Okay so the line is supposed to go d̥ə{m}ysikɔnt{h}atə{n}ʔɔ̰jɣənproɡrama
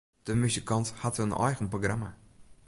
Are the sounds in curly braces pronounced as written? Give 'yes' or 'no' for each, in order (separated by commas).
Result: yes, yes, yes